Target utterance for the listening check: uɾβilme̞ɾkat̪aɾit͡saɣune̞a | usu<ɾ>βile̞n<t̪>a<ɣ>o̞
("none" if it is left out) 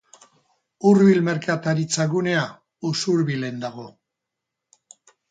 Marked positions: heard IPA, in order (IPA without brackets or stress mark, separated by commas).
ɾ, d̪, ɣ